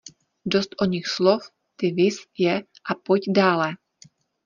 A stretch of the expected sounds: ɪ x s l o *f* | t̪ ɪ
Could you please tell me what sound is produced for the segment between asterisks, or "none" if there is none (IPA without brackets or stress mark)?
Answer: f